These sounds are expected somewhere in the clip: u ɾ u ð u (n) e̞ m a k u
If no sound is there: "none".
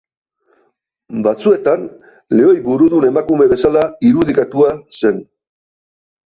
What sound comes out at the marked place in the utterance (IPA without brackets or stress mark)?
n